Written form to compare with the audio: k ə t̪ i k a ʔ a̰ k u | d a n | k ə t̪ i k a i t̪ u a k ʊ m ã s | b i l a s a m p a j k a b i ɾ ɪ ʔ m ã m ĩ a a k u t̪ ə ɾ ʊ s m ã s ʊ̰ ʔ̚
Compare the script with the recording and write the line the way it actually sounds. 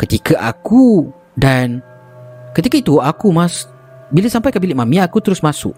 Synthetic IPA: k ə t̪ i k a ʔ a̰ k u | d a n | k ə t̪ i k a i t̪ u a k u m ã s | b i l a s a m p a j k a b i l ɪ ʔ m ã m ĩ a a k u t̪ ə ɾ ʊ s m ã s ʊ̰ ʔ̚